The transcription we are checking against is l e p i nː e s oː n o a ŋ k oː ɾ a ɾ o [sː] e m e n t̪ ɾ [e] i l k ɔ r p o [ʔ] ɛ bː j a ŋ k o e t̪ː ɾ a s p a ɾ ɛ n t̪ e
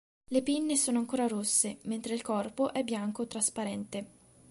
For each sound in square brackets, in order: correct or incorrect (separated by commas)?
correct, correct, correct